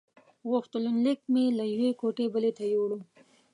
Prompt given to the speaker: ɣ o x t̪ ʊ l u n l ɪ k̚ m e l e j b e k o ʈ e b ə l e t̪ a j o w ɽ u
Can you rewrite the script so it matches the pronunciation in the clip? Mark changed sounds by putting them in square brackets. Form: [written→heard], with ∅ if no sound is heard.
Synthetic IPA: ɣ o x t̪ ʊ l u n l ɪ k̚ m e l [e→a] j [b→w] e k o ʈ e b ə l e t̪ a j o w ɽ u